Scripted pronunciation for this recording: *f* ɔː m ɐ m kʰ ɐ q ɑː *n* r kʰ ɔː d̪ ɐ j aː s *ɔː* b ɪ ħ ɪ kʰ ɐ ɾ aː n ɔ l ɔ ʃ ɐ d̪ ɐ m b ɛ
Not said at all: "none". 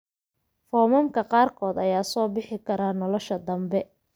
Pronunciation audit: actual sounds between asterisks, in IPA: f, none, ɔː

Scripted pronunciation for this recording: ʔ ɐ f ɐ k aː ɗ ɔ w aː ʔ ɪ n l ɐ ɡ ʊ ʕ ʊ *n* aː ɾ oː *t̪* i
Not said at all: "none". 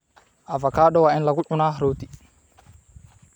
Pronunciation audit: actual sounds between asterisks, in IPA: n, t̪

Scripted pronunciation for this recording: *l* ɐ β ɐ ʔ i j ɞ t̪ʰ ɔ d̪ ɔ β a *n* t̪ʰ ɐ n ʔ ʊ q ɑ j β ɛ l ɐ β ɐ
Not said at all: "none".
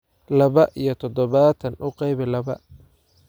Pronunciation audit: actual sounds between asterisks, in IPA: l, none

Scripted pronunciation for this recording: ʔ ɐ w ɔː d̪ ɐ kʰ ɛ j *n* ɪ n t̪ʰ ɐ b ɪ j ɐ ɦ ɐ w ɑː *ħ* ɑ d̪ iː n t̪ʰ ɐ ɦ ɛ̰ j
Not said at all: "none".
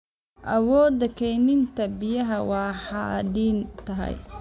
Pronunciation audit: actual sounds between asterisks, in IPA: n, ħ

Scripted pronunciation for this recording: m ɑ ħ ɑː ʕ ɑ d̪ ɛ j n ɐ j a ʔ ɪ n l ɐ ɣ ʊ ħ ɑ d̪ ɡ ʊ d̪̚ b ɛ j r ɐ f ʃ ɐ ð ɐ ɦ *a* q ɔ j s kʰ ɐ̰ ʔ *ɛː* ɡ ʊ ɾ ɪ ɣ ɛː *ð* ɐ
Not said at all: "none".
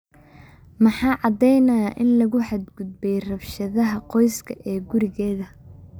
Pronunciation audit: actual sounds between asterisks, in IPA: ɐ, ɛː, ð

